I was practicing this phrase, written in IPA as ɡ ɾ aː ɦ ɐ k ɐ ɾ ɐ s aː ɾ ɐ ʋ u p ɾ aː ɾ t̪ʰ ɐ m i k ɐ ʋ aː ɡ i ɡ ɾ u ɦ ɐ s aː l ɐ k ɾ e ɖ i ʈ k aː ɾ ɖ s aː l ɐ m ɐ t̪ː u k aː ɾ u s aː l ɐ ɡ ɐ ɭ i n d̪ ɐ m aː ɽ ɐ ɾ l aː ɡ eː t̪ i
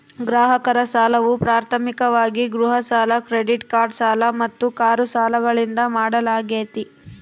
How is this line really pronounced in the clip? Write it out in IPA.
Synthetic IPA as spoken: ɡ ɾ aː ɦ ɐ k ɐ ɾ ɐ s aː l ɐ ʋ u p ɾ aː ɾ t̪ʰ ɐ m i k ɐ ʋ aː ɡ i ɡ ɾ u ɦ ɐ s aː l ɐ k ɾ e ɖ i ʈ k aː ɾ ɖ s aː l ɐ m ɐ t̪ː u k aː ɾ u s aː l ɐ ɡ ɐ ɭ i n d̪ ɐ m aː ɽ ɐ l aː ɡ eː t̪ i